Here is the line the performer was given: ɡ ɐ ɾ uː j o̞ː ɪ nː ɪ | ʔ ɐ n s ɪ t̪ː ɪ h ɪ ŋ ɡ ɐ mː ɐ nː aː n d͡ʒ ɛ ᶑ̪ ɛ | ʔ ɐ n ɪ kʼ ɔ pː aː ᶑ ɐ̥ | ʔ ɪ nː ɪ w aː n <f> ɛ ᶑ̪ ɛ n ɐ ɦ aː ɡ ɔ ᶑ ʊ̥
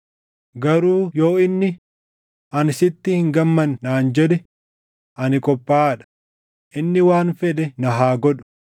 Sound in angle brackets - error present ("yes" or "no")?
no